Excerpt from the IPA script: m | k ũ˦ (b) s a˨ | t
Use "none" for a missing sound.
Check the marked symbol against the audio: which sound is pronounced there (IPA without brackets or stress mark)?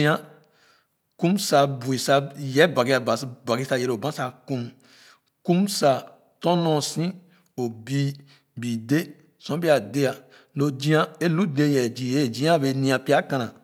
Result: m